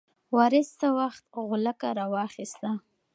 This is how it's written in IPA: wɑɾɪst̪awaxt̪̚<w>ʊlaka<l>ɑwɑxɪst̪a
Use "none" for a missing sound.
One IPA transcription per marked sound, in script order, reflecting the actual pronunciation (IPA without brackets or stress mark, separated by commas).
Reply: ɣ, ɾ